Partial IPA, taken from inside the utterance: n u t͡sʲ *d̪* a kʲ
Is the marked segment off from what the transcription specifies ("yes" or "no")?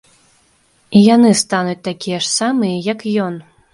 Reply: yes